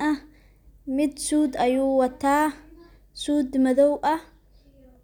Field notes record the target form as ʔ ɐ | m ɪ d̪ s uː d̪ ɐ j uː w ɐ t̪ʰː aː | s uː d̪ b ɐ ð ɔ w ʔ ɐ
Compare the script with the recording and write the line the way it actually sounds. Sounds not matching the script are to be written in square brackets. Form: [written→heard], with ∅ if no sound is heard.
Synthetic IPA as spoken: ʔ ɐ | m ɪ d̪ s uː d̪ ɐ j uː w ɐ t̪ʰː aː | s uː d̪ [b→m] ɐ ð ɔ w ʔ ɐ